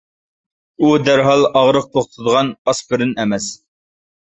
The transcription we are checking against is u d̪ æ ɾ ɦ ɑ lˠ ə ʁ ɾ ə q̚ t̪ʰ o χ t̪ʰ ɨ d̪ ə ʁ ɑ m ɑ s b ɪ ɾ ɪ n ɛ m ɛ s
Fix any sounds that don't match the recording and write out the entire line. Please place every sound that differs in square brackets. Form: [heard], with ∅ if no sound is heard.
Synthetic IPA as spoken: u d̪ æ ɾ ɦ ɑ lˠ [ɑ] ʁ ɾ ə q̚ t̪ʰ o χ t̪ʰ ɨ d̪ ə ʁ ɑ [n] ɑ s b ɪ ɾ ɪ n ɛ m ɛ s